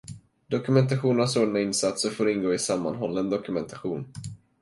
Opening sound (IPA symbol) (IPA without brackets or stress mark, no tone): d̪